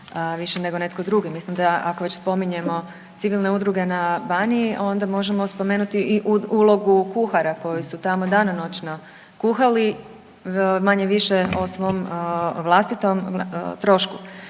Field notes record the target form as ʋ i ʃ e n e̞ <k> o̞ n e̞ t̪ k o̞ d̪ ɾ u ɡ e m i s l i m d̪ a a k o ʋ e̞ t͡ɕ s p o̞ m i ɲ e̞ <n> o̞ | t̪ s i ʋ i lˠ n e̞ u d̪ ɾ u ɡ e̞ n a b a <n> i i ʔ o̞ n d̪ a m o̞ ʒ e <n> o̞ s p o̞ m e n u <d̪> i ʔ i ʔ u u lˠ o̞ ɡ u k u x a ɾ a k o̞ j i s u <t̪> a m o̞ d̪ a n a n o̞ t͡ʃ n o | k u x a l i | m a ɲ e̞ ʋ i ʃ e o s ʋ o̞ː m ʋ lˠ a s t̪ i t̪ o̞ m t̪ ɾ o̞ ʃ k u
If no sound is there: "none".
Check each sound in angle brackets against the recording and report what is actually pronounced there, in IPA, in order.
ɡ, m, n, m, t̪, t̪

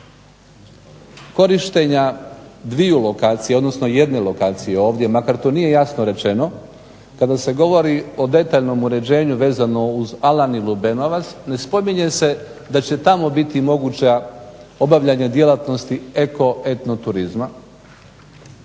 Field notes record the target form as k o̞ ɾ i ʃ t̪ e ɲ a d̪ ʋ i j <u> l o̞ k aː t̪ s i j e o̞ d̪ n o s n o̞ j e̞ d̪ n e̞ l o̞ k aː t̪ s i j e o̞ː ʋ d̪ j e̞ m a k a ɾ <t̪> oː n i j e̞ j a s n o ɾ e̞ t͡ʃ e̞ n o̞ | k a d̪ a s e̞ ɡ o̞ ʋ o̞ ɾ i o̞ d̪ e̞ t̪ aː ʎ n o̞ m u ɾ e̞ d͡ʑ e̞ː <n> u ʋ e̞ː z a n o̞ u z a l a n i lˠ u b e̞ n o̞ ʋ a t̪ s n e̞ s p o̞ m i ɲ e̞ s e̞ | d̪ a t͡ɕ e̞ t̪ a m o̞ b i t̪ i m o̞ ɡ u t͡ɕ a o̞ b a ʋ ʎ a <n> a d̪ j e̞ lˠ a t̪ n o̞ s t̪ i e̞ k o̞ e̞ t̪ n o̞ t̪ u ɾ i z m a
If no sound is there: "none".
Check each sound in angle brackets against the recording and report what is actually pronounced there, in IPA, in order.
u, t̪, ɲ, ɲ

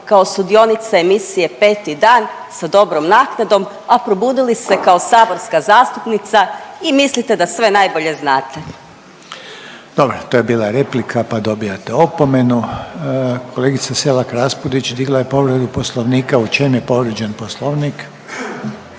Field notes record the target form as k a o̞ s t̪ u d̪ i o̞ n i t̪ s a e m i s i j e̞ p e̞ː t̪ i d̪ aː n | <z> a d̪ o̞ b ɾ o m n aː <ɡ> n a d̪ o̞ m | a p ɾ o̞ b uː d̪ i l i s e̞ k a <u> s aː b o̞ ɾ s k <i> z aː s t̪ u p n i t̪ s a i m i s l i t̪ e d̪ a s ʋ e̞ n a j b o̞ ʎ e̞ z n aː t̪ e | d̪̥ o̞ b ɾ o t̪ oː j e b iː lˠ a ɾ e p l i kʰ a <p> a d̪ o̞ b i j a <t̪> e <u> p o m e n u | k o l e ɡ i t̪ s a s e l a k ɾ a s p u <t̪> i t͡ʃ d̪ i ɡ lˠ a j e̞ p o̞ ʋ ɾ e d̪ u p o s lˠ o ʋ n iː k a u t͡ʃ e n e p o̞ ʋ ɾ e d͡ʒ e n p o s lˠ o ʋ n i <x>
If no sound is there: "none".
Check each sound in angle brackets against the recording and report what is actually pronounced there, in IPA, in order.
s, k, o, a, p, t̪, o, d̪, k

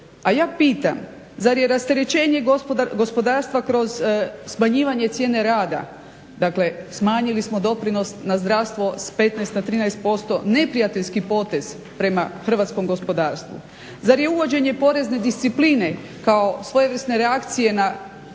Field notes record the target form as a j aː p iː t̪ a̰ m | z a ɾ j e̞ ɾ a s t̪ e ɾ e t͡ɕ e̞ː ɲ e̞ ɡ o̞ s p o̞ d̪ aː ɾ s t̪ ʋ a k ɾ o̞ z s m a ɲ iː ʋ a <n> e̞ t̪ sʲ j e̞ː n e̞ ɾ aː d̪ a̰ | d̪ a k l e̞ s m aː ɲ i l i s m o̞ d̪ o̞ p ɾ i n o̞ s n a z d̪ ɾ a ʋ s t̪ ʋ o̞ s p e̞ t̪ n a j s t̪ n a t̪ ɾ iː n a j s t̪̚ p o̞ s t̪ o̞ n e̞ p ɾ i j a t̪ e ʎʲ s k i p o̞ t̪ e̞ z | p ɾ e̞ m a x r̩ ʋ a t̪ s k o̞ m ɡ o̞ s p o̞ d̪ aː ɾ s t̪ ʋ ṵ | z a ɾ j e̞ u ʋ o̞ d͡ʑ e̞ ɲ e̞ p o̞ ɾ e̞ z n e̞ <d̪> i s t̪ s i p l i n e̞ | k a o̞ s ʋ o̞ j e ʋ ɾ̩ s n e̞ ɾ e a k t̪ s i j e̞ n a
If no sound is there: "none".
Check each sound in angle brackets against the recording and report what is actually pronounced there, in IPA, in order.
ɲ, d̪

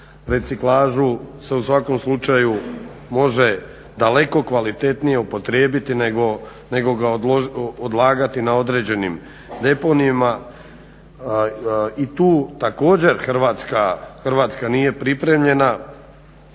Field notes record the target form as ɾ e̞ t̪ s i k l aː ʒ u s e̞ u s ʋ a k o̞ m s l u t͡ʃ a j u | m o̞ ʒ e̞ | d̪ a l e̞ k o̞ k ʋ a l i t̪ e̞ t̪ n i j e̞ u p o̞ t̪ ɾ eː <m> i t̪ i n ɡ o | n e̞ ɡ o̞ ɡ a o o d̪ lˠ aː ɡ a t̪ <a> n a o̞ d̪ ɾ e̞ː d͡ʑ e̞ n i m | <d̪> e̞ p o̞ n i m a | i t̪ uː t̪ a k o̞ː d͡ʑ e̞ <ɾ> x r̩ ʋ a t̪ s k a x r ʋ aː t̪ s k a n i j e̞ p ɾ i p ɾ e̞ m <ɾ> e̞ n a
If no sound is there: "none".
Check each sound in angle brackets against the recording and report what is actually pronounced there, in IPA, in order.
b, i, d̪, ɾ, ʎ

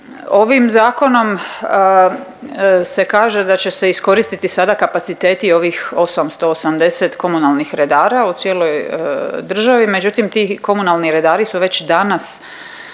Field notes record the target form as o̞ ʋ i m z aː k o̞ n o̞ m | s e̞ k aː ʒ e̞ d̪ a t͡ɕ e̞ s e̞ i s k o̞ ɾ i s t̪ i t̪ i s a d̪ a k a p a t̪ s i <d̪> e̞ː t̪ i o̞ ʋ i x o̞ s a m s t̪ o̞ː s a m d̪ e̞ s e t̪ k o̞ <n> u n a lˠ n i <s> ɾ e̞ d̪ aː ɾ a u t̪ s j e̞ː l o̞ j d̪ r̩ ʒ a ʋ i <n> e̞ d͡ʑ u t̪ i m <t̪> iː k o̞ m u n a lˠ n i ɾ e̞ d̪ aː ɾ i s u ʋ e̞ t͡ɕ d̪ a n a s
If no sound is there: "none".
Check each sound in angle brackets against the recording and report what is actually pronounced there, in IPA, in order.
t̪, m, x, m, t̪

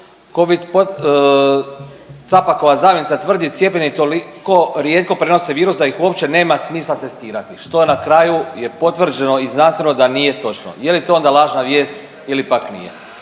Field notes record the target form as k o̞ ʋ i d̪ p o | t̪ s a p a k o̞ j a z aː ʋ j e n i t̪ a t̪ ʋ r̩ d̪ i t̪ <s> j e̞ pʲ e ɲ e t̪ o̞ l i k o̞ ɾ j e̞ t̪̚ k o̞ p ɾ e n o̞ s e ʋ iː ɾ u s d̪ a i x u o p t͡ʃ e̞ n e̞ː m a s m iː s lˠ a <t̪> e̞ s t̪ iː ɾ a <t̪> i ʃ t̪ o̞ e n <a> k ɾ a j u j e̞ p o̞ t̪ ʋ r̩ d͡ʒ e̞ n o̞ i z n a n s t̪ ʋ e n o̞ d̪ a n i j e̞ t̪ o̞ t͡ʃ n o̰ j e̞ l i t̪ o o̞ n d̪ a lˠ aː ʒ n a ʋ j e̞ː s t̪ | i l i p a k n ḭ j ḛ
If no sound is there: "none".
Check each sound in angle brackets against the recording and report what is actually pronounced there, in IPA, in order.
s, t̪, t̪, a

